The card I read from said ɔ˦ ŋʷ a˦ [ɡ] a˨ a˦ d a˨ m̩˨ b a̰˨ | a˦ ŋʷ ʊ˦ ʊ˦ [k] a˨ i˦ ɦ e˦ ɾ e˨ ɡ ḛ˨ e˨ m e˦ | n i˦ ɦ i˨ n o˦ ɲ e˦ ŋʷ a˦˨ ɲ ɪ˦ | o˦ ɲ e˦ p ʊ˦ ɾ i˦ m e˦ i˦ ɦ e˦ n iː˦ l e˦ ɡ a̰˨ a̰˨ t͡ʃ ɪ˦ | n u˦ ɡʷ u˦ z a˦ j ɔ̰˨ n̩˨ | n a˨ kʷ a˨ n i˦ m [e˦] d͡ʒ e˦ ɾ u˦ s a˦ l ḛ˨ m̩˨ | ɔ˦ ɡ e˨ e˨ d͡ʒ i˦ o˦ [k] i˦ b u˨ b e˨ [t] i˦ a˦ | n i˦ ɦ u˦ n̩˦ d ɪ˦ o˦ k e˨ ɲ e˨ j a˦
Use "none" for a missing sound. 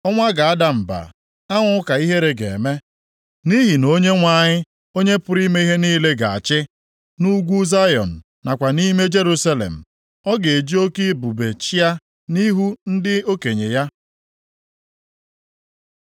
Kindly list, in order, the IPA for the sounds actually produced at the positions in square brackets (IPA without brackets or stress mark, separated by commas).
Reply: ɡ, k, e˦, k, t͡ʃ